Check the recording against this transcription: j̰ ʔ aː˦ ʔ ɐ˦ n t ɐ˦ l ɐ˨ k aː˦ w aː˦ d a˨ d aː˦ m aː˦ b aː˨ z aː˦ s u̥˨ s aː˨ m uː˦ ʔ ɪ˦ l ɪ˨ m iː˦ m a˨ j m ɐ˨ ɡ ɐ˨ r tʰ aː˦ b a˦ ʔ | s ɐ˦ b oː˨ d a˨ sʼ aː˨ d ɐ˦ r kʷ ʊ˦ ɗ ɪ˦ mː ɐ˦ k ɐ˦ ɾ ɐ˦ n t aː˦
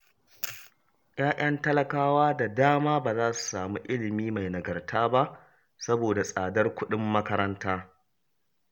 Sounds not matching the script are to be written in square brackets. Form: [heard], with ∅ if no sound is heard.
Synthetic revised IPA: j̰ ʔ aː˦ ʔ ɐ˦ n t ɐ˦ l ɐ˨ k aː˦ w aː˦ d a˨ d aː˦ m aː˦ b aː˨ z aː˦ s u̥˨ s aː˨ m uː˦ ʔ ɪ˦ l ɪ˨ m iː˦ m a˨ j [n] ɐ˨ ɡ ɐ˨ r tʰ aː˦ b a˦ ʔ | s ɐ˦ b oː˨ d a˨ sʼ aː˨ d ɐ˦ r kʷ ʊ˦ ɗ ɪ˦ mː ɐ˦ k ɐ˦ ɾ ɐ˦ n t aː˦

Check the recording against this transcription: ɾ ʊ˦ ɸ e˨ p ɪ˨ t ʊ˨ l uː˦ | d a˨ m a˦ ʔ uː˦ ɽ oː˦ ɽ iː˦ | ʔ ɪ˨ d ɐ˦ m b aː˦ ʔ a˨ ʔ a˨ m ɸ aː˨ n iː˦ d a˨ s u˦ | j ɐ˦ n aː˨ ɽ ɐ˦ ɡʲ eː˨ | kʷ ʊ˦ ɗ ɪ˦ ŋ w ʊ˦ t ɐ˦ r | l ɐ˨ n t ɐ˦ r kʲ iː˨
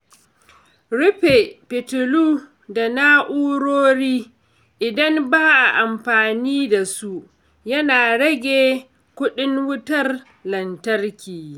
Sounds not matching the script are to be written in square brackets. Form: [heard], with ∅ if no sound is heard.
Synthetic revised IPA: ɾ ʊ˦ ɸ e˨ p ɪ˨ t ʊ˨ l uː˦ | d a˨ [n] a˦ ʔ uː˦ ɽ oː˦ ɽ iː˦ | ʔ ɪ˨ d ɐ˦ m b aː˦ ʔ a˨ ʔ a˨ m ɸ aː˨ n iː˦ d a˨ s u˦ | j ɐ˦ n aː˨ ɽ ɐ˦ ɡʲ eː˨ | kʷ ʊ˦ ɗ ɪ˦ ŋ w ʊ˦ t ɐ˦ r | l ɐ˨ n t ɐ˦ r kʲ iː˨

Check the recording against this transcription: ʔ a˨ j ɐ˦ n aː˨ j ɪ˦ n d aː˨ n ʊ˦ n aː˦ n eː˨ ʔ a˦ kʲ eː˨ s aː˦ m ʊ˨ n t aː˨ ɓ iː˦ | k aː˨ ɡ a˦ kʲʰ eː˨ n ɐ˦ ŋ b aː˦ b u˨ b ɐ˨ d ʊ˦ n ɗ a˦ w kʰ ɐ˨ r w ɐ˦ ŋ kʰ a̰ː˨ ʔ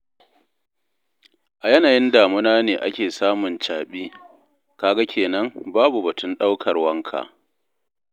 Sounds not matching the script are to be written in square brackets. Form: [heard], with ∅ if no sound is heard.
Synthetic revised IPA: ʔ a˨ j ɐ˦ n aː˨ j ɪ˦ n d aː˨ [m] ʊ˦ n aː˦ n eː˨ ʔ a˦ kʲ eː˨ s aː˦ m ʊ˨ n [t͡ʃ] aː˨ ɓ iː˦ | k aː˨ ɡ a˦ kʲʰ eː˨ n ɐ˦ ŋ b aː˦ b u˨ b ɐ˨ [t] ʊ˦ n ɗ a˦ w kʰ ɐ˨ r w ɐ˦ ŋ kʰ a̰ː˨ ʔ

